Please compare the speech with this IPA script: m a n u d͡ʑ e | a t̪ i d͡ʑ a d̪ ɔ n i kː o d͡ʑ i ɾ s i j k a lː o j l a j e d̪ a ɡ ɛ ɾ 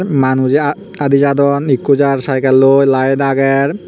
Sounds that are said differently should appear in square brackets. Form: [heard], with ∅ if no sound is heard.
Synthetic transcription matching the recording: m a n u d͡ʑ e | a [d̪] i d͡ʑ a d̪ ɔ n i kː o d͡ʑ [a] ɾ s [a] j k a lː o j l a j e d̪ a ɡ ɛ ɾ